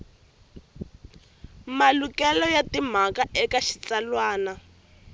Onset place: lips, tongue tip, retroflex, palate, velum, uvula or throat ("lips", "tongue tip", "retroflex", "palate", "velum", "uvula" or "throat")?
lips